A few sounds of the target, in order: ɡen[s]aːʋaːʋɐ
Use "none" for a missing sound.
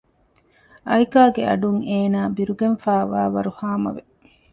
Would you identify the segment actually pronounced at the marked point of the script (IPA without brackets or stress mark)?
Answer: f